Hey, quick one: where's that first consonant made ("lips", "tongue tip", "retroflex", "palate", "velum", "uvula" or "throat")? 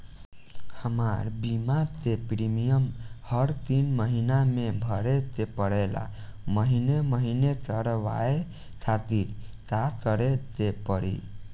throat